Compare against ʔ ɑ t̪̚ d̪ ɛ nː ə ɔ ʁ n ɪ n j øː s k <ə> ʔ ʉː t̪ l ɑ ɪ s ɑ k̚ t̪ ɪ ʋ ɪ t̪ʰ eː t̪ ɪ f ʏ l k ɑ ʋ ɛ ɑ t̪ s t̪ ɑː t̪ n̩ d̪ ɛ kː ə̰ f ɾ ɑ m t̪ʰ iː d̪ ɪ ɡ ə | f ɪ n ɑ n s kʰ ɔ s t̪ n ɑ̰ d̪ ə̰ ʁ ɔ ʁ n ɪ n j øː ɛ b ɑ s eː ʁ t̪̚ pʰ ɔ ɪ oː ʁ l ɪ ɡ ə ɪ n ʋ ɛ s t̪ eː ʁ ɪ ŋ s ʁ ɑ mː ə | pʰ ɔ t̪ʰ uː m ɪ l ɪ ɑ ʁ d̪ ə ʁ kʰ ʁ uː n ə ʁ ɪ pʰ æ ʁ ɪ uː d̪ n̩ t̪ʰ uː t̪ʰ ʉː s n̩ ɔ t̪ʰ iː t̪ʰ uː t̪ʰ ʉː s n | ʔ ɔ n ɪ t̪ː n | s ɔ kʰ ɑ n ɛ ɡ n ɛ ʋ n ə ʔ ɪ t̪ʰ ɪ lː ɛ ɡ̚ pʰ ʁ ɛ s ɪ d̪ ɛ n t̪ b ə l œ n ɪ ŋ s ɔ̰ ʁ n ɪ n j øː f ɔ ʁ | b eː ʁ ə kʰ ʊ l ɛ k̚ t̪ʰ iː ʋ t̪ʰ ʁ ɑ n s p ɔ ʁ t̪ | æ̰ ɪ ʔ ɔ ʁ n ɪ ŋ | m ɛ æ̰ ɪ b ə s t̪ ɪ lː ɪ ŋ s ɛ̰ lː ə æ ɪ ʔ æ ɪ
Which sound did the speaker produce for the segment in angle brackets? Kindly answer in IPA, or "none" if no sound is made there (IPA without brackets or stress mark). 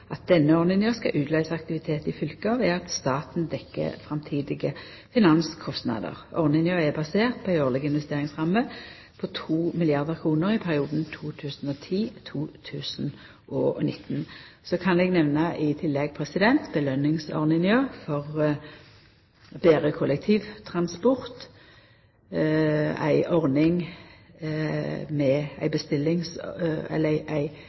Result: ɑ